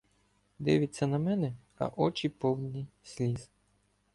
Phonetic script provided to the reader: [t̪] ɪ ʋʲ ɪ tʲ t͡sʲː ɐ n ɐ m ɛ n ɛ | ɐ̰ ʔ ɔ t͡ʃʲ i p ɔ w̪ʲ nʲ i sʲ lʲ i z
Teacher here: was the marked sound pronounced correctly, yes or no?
no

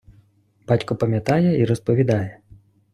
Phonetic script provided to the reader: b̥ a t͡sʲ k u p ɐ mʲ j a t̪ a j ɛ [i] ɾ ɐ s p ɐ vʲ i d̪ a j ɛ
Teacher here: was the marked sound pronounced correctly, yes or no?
yes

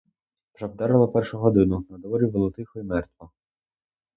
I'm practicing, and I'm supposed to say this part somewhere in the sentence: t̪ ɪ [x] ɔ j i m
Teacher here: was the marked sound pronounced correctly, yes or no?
yes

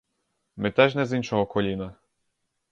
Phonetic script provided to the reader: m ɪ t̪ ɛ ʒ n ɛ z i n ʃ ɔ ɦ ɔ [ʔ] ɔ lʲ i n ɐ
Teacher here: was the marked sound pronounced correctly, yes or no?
no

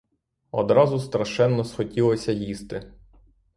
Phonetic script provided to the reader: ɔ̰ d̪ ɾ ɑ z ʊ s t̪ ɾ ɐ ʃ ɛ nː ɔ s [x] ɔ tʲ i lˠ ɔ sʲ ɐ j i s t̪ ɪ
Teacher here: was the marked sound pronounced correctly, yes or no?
yes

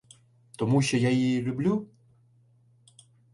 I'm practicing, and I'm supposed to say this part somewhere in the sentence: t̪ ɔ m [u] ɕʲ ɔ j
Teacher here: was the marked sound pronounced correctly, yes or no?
yes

